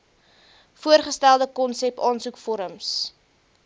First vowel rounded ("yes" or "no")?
yes